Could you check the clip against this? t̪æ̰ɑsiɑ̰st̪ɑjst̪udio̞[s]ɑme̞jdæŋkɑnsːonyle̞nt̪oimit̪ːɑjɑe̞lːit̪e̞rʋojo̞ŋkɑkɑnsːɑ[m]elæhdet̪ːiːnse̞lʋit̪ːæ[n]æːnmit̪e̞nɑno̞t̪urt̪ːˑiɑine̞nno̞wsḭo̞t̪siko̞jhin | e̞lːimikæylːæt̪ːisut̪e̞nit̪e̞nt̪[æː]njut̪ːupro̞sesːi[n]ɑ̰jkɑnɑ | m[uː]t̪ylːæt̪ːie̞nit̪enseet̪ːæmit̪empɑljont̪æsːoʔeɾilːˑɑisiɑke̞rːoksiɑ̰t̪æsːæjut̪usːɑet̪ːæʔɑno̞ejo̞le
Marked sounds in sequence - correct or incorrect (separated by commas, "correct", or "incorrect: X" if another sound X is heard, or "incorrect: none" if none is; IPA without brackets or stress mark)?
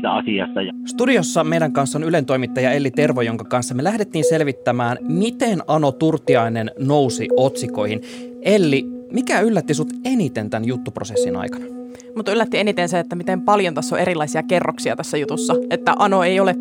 incorrect: sː, correct, incorrect: m, incorrect: æ, correct, incorrect: u